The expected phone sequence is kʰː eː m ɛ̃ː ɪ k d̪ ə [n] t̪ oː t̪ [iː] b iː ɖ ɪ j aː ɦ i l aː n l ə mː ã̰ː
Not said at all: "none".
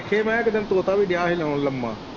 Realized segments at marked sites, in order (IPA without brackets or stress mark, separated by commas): n, aː